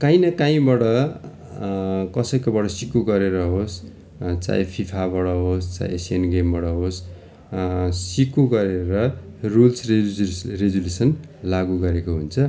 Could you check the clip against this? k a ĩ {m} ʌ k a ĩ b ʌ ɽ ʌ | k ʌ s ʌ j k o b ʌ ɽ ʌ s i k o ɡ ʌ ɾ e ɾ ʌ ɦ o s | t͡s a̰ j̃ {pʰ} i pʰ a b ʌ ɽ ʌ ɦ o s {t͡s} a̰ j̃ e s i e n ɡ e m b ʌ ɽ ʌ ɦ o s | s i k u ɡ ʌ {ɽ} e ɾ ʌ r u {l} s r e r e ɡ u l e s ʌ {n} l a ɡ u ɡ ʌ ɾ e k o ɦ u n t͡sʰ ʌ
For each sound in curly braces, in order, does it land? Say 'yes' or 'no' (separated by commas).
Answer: no, yes, yes, no, yes, yes